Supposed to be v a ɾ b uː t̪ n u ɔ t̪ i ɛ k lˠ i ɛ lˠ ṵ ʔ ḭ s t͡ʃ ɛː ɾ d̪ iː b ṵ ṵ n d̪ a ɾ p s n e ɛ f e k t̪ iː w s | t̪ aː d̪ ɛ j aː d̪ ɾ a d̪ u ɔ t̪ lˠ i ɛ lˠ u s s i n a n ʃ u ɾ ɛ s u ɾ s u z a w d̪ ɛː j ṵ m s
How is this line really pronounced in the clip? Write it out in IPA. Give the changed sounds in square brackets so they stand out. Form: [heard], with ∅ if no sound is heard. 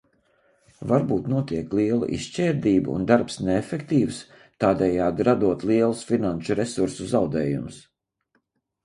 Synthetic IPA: v a ɾ b uː t̪ n u ɔ t̪ i ɛ k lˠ i ɛ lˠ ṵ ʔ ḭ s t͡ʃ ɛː ɾ d̪ iː b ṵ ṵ n d̪ a ɾ p s n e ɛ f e k t̪ iː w s | t̪ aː d̪ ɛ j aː d̪ ɾ a d̪ u ɔ t̪ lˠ i ɛ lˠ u s [f] i n a n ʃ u ɾ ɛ s u ɾ s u z a w d̪ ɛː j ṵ m s